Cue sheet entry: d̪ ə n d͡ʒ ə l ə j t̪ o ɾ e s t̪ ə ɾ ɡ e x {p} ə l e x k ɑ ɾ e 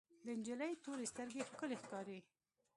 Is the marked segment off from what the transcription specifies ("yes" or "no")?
yes